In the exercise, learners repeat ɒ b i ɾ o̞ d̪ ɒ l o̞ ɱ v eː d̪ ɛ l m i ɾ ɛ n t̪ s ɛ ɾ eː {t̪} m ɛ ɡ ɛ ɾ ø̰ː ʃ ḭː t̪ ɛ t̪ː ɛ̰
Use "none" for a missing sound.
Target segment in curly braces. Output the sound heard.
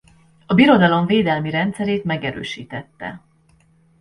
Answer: t̪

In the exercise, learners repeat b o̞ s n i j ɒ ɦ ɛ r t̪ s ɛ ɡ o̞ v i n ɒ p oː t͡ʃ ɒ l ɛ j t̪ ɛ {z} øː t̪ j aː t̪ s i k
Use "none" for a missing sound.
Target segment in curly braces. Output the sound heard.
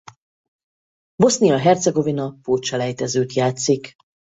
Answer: z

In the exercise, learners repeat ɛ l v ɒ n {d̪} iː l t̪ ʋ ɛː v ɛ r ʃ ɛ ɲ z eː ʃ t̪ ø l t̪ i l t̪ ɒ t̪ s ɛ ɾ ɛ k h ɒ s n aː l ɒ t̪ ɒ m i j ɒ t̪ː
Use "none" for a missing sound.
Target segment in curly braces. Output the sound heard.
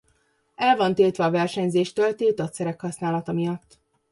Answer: t̪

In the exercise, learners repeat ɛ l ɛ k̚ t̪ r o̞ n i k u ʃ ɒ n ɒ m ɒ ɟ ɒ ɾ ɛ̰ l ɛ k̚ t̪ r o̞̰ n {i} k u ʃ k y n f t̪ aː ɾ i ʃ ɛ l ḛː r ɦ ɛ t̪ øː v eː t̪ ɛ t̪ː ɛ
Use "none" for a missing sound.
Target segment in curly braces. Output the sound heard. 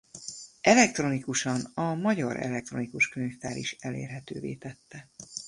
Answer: i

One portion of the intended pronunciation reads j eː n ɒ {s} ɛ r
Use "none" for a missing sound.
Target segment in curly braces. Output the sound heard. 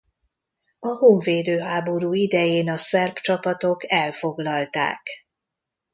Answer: s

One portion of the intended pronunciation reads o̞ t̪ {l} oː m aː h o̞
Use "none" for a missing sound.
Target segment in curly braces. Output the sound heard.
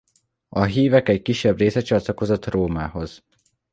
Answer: r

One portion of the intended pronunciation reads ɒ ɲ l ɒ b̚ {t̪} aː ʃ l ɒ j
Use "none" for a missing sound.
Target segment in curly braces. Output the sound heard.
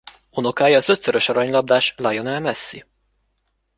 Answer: d̪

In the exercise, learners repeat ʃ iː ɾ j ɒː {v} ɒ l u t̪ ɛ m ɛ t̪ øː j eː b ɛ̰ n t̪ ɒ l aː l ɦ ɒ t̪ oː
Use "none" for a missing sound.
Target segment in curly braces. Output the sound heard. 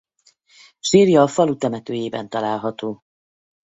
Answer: f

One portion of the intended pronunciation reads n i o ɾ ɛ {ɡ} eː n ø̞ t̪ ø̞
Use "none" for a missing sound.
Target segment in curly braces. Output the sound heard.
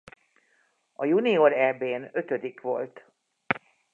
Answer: b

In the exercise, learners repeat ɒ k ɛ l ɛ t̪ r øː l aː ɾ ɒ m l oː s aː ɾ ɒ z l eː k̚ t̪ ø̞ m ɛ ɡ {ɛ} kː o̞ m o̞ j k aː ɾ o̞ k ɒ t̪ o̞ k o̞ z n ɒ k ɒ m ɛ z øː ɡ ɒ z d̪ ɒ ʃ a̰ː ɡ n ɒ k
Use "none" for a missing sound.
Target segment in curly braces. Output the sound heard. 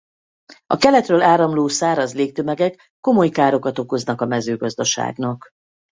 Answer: ɛ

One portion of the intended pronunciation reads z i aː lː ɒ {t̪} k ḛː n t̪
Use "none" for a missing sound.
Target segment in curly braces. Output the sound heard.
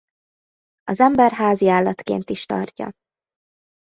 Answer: t̪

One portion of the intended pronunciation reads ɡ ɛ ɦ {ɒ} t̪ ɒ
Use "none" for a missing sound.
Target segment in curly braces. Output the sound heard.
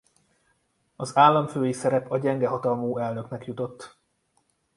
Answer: ɒ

